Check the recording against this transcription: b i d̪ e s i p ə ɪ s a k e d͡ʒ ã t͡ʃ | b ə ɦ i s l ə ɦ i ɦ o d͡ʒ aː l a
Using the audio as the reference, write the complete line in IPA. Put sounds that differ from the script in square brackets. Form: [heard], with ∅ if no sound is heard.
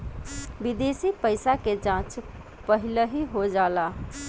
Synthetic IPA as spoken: b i d̪ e s i p ə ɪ s a k e d͡ʒ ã t͡ʃ | [p] ə ɦ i [∅] l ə ɦ i ɦ o d͡ʒ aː l a

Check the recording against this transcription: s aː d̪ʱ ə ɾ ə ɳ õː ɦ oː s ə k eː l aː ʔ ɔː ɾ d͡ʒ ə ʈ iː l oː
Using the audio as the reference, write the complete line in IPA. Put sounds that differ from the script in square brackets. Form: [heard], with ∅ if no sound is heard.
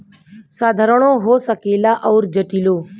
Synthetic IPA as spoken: s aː d̪ʱ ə ɾ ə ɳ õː ɦ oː s ə k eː l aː ʔ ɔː ɾ d͡ʒ ə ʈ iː l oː

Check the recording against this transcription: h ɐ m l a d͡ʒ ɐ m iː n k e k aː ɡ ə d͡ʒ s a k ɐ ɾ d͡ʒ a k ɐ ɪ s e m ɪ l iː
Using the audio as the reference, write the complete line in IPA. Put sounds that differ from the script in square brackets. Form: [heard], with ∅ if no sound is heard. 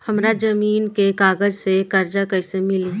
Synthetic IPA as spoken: h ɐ m [ɾ] a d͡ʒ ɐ m iː n k e k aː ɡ ə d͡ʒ s [e] k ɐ ɾ d͡ʒ a k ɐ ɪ s e m ɪ l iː

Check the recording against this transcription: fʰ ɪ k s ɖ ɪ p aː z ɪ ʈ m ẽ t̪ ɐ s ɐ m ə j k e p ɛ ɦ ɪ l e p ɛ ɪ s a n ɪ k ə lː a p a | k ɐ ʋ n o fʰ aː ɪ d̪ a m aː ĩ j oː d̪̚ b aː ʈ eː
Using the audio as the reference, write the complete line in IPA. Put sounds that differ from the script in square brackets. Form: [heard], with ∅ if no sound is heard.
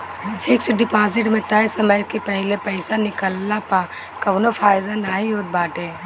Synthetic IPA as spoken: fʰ ɪ k s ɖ ɪ p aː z ɪ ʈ m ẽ t̪ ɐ s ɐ m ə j k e p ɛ ɦ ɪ l e p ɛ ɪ s a n ɪ k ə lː a p a | k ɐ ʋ n o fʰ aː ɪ d̪ a [n] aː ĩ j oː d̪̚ b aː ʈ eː

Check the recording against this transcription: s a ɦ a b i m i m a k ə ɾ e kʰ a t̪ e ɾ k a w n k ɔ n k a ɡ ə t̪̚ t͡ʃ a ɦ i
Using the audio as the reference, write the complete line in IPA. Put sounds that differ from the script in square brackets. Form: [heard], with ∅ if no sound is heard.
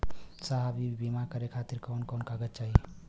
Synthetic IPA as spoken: s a ɦ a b i [b] i m a k ə ɾ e kʰ a t̪ [i] ɾ k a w n k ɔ n k a ɡ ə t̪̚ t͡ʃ a ɦ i

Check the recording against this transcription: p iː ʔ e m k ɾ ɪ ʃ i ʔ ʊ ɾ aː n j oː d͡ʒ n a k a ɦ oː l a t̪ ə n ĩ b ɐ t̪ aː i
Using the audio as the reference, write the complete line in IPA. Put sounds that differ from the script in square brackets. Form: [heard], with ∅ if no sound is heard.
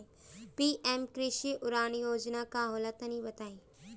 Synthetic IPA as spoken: p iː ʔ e m k ɾ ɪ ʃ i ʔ ʊ ɾ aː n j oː d͡ʒ n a k a ɦ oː l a t̪ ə n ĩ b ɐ t̪ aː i

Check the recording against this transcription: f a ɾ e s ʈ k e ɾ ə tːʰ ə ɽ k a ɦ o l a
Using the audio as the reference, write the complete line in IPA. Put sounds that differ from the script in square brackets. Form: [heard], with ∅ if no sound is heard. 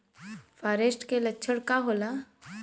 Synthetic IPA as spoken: f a ɾ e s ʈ k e [l] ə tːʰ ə ɽ k a ɦ o l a

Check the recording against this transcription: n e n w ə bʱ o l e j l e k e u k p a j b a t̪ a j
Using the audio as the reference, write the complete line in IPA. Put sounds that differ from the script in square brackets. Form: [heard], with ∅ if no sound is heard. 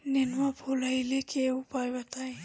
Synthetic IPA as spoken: n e n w [a] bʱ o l [a] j l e k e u [∅] p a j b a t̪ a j

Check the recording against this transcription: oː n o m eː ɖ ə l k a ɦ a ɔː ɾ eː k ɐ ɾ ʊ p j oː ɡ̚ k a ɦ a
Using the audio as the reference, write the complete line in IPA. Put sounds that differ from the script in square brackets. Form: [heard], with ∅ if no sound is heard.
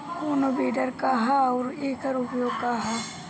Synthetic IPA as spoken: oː n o [b] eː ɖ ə [ɾ] k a ɦ a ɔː ɾ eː k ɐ ɾ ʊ p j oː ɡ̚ k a ɦ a

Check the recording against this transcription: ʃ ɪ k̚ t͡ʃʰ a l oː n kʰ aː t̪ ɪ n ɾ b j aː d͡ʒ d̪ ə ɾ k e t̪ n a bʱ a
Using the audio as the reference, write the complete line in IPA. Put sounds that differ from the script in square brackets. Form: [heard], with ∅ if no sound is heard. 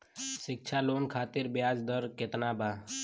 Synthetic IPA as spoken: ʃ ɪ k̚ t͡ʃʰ a l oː n kʰ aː t̪ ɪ [∅] ɾ b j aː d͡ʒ d̪ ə ɾ k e t̪ n a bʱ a

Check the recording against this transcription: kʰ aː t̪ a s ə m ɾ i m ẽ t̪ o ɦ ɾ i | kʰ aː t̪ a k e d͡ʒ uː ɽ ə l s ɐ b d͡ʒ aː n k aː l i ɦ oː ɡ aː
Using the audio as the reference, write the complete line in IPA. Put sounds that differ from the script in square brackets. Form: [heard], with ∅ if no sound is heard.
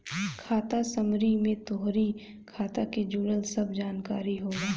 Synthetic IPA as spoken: kʰ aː t̪ a s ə m ɾ i m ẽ t̪ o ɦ ɾ i | kʰ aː t̪ a k e d͡ʒ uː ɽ ə l s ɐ b d͡ʒ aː n k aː [ɾ] i ɦ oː ɡ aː

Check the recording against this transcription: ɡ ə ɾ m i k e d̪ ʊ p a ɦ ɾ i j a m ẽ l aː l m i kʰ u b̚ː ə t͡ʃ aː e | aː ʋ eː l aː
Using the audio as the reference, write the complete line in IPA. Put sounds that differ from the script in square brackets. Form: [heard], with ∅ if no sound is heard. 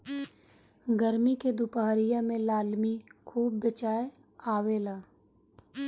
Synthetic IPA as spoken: ɡ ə ɾ m i k e d̪ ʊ p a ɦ ɾ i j a m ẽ l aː l m i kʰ [uː] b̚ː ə t͡ʃ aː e | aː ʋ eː l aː

